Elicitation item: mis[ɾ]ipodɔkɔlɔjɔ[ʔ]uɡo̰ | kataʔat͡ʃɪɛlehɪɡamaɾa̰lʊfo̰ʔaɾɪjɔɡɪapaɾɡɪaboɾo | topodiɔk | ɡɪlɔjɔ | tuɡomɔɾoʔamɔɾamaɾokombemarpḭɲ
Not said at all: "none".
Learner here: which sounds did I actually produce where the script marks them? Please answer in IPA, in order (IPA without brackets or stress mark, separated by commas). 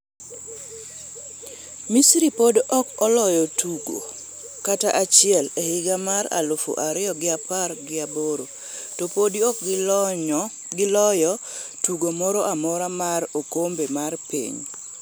ɾ, t